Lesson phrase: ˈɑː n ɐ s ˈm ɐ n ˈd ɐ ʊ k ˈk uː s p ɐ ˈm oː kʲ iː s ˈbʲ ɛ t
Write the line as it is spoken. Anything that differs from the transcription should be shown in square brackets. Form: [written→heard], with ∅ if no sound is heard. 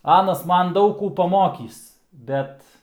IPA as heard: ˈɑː n ɐ s ˈm ɐ n ˈd ɐ ʊ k ˈk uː [s→∅] p ɐ ˈm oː kʲ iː s ˈbʲ ɛ t